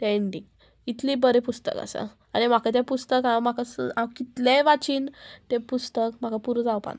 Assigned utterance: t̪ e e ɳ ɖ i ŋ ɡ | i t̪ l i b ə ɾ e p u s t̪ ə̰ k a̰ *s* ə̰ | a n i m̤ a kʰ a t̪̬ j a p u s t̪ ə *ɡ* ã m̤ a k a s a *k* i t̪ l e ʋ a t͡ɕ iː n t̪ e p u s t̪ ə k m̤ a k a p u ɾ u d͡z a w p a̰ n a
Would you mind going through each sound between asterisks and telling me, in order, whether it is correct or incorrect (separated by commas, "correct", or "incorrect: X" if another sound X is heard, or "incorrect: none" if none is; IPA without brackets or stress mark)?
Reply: correct, incorrect: k, correct